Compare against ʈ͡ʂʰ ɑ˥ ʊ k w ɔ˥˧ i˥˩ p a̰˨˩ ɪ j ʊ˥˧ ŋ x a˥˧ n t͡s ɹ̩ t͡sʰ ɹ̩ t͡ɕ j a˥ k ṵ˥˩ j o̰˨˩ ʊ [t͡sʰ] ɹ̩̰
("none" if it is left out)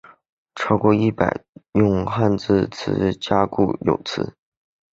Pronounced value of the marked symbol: t͡sʰ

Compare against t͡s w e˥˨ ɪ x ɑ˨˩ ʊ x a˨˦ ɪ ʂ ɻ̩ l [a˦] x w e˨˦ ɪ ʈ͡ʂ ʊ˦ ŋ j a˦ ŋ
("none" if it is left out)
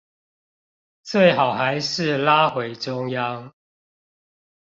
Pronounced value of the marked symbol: a˦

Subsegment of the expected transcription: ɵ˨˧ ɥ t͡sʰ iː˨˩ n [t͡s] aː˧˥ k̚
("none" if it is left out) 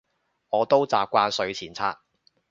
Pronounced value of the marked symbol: t͡sʰ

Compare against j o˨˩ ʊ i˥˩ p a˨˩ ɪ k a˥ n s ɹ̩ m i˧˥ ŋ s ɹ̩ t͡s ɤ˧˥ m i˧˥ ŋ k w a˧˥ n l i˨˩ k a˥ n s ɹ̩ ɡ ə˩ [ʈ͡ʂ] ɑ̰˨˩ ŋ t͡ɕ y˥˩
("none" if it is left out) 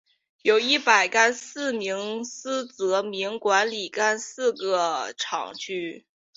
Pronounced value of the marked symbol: ʈ͡ʂʰ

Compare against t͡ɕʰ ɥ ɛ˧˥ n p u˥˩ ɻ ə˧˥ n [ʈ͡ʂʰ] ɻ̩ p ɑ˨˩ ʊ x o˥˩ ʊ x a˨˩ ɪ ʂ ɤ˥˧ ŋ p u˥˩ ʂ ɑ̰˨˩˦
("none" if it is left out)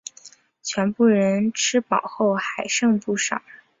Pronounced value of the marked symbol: ʈ͡ʂʰ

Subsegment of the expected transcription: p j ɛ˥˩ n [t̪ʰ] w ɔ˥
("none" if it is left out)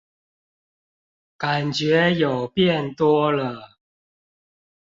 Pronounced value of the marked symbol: t̪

